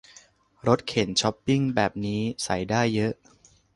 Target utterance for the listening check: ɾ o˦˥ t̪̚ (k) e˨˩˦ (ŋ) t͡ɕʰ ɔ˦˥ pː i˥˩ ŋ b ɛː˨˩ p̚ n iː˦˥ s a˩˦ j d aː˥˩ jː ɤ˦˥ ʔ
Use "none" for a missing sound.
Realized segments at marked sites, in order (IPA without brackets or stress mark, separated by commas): kʰ, n